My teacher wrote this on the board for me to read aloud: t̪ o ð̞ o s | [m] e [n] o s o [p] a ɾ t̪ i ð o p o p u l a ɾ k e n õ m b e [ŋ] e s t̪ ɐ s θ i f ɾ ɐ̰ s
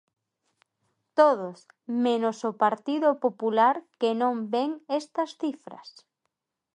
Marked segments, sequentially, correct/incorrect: correct, correct, correct, correct

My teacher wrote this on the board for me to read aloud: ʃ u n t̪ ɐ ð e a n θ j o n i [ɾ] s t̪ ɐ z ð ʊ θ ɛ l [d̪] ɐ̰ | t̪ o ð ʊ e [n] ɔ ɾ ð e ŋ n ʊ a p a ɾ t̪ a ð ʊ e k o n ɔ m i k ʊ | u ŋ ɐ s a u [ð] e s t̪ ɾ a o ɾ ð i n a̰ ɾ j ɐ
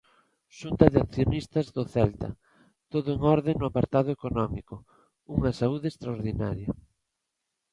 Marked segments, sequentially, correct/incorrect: incorrect, incorrect, incorrect, correct

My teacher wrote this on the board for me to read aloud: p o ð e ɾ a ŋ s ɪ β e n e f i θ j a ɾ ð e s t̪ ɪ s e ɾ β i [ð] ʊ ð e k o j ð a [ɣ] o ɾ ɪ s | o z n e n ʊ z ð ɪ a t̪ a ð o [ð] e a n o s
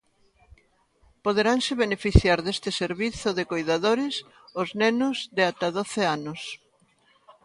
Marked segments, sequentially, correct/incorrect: incorrect, incorrect, incorrect

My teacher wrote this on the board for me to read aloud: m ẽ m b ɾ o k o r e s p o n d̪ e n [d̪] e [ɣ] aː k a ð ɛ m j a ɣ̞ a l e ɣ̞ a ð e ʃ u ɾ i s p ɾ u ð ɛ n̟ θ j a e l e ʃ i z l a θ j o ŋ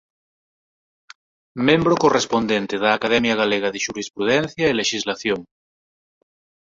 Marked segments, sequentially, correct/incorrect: incorrect, incorrect

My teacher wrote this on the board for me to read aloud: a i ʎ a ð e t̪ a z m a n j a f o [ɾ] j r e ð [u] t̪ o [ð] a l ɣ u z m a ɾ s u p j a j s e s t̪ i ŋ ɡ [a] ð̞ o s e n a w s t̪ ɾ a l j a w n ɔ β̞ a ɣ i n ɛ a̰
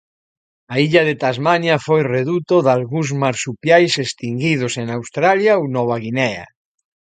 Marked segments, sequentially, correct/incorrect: incorrect, correct, correct, incorrect

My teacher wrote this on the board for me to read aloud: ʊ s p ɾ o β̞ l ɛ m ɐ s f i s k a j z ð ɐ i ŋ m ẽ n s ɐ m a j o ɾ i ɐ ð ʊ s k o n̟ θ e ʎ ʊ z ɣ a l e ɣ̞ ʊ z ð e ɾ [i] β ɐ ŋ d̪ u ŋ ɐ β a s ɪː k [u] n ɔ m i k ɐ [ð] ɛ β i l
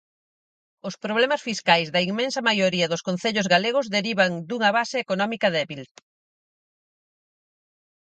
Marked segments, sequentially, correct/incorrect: correct, incorrect, correct

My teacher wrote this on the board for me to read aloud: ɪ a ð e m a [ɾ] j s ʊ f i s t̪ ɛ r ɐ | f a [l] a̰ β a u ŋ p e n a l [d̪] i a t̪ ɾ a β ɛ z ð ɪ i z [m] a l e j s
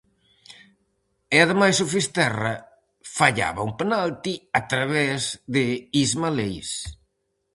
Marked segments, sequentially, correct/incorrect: incorrect, incorrect, incorrect, correct

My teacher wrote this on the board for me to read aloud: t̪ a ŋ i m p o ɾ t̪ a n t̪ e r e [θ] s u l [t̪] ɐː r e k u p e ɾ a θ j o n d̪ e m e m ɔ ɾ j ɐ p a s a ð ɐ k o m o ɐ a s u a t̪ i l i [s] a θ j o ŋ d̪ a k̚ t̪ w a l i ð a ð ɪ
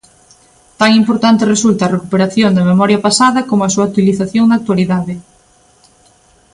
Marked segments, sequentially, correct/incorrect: incorrect, correct, incorrect

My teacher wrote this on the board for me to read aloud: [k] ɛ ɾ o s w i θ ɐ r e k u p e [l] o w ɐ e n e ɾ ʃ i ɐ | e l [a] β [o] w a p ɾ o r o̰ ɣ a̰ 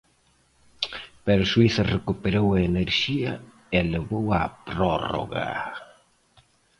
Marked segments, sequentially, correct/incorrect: incorrect, incorrect, incorrect, correct

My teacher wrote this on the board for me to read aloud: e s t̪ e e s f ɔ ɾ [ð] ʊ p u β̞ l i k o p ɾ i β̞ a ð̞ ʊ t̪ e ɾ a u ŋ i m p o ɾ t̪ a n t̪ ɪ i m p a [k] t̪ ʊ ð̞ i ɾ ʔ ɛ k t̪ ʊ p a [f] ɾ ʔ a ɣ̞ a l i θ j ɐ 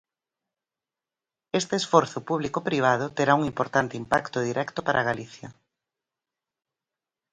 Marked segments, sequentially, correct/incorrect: incorrect, correct, incorrect

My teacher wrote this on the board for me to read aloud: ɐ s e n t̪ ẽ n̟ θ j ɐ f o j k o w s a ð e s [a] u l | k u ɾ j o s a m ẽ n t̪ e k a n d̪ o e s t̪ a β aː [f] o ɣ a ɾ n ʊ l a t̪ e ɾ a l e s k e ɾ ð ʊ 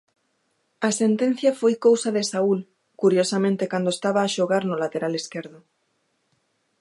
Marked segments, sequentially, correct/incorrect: correct, incorrect

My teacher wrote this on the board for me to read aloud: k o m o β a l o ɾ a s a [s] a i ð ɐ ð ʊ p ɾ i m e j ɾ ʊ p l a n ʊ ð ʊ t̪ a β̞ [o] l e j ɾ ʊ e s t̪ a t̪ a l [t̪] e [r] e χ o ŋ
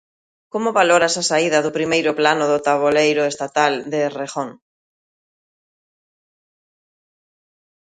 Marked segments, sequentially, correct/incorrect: correct, correct, incorrect, correct

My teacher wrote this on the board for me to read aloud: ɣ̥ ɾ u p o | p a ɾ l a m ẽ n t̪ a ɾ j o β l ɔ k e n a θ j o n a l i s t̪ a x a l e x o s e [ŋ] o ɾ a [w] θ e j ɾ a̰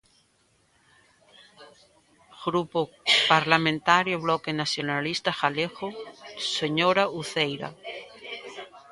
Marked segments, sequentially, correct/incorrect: incorrect, incorrect

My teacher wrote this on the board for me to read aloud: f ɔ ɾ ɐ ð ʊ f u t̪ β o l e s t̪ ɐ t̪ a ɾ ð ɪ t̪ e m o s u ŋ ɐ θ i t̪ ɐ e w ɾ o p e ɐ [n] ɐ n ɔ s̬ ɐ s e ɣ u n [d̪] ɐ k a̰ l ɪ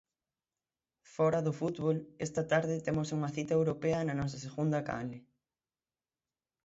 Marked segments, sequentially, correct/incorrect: correct, correct

